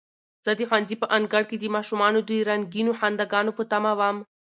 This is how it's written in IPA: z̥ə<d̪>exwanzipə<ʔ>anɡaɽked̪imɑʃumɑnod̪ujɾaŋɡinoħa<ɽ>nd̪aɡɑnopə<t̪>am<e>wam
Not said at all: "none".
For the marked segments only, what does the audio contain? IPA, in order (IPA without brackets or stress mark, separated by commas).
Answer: d̪, ʔ, none, t̪, a